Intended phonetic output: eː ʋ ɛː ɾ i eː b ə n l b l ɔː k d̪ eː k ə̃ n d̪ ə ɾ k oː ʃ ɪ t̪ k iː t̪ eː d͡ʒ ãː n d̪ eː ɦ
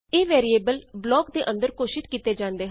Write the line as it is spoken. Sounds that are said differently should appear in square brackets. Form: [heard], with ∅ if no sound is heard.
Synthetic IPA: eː ʋ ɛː ɾ i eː b ə [∅] l b l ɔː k d̪ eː [ʔ] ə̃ n d̪ ə ɾ k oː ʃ ɪ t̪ k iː t̪ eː d͡ʒ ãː n d̪ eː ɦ